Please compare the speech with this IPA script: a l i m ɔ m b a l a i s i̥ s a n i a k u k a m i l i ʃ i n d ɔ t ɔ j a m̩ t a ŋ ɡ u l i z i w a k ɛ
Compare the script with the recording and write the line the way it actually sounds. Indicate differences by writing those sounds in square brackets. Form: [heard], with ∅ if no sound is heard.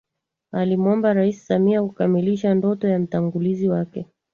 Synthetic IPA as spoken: a l i m ɔ m b a [ɾ] a i s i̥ s a [m] i a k u k a m i l i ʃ [a] n d ɔ t ɔ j a m̩ t a ŋ ɡ u l i z i w a k ɛ